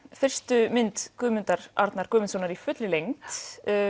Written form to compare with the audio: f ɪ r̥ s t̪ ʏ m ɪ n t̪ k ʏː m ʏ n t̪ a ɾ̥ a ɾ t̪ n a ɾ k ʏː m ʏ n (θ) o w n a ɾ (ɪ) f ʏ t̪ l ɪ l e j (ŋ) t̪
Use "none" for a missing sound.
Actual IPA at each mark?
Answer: s, i, ŋ

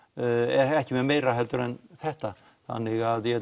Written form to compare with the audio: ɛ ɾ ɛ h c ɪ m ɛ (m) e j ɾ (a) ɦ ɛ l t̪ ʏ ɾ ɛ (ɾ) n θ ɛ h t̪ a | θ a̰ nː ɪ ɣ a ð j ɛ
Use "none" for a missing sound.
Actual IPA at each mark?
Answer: m, a, none

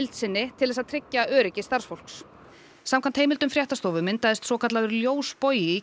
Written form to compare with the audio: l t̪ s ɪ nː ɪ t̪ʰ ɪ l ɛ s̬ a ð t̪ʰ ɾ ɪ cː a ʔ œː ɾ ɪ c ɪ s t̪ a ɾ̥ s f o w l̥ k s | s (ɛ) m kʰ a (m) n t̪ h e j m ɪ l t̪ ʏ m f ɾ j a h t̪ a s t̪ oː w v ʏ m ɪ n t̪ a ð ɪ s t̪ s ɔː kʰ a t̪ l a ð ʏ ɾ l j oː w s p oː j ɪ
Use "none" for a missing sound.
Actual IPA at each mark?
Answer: a, none

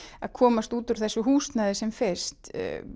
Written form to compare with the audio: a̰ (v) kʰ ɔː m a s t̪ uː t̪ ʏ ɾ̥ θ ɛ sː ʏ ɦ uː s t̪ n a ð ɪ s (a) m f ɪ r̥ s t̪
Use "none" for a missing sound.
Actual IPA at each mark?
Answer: ð, ɛ

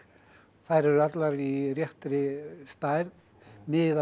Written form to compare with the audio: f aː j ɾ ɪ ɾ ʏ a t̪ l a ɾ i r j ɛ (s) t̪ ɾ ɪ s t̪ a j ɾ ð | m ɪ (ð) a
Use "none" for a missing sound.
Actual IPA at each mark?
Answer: h, ð

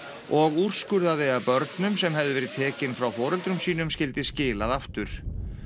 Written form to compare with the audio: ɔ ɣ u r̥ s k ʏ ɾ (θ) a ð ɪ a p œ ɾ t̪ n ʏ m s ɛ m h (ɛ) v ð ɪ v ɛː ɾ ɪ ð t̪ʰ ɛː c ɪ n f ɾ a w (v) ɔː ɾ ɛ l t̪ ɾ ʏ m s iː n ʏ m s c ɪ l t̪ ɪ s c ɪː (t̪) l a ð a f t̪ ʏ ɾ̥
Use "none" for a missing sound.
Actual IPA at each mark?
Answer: ð, ɛ, f, none

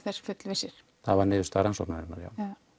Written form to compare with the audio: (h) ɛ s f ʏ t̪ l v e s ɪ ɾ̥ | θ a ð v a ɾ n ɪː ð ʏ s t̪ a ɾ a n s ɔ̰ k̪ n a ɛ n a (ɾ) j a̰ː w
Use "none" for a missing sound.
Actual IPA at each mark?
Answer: θ, ɾ

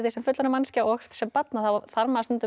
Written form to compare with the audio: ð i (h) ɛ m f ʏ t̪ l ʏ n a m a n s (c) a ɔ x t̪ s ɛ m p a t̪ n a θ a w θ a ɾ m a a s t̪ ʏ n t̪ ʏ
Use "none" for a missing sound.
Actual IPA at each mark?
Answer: s, c

